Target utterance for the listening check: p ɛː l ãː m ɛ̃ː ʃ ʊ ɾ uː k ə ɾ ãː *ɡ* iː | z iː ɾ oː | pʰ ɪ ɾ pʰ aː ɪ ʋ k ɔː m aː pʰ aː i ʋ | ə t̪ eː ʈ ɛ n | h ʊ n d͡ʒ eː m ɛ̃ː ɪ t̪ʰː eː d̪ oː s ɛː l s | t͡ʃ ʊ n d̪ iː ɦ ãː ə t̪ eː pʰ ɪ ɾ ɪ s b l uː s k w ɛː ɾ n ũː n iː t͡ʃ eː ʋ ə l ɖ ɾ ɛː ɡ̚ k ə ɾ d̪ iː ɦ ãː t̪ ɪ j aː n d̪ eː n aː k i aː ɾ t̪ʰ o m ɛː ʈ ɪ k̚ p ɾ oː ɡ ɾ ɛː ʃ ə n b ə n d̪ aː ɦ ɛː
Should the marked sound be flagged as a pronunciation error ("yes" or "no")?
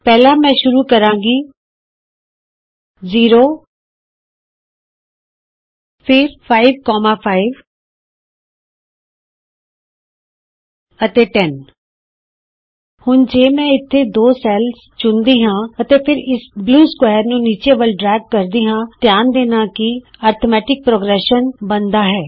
no